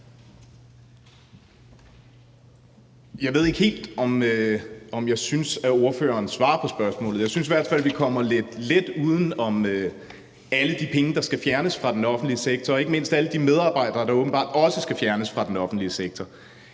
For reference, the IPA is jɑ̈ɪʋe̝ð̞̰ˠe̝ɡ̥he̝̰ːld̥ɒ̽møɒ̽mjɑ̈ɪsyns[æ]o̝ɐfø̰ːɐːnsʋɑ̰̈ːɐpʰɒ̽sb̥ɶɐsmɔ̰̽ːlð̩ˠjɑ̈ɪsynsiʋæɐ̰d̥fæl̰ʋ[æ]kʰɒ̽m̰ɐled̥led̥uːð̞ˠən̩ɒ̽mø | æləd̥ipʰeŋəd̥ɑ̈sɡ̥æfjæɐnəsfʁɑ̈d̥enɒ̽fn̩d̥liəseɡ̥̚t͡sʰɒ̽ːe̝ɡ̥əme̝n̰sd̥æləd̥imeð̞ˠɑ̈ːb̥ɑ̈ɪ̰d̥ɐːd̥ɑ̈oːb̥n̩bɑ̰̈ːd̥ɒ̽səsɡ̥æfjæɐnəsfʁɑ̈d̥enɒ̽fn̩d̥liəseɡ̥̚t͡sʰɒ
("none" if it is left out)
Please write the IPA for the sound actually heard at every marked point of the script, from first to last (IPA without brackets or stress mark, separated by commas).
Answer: æ, i